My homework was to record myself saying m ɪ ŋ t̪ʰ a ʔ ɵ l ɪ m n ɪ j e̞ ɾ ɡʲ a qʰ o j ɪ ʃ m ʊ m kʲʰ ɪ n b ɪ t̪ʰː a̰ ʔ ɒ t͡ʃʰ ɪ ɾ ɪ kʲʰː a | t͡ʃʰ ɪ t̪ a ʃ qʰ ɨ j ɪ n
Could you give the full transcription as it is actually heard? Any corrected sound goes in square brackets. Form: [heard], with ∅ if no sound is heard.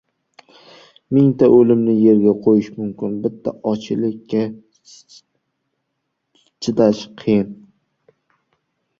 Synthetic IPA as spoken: m ɪ ŋ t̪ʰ a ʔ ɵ l ɪ m n ɪ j e̞ ɾ ɡʲ a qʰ o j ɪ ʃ m ʊ m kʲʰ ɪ n b ɪ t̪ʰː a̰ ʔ ɒ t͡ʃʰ ɪ [l] ɪ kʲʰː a | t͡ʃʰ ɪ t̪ a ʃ qʰ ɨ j ɪ n

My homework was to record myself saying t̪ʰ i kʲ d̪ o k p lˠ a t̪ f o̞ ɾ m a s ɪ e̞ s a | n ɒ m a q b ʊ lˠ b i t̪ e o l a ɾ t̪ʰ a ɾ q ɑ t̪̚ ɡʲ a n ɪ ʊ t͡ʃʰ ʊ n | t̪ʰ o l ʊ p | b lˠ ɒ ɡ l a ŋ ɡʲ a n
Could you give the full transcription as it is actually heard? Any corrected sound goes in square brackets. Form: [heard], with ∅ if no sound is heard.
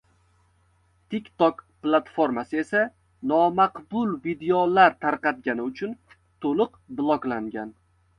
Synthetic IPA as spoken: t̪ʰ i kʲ [t̪] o k p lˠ a t̪ f o̞ ɾ m a s ɪ e̞ s a | n ɒ m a q b ʊ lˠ [v] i [d̪] e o l a ɾ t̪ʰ a ɾ q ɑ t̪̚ ɡʲ a n ɪ ʊ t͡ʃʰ ʊ n | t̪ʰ o l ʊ [q] | b lˠ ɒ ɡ l a ŋ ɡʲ a n

